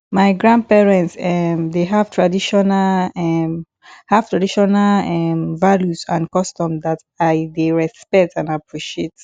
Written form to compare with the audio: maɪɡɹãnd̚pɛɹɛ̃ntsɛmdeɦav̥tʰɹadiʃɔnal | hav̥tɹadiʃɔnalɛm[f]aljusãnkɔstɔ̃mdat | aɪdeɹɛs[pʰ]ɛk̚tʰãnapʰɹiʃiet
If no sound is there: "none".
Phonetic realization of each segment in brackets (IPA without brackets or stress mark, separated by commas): v, p